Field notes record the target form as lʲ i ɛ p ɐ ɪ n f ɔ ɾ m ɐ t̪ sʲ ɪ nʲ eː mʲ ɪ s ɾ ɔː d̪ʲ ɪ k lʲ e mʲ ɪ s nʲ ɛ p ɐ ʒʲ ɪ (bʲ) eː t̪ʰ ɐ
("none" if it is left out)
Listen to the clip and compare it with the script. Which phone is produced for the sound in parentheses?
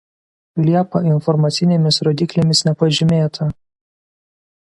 mʲ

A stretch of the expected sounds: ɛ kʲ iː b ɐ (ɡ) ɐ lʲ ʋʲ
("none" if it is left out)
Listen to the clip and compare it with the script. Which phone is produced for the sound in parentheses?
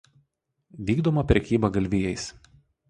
ɡ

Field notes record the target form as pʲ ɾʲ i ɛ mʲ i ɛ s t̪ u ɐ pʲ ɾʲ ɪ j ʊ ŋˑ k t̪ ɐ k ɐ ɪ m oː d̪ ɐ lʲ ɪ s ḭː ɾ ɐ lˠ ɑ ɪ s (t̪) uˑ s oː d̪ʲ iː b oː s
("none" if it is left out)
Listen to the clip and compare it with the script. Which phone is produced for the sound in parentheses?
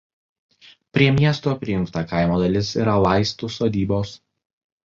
t̪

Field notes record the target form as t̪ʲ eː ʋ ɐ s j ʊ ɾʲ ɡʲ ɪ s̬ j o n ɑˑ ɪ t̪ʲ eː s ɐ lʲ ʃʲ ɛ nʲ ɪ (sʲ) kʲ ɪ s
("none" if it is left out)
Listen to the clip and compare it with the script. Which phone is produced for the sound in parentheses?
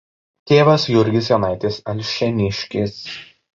ʃʲ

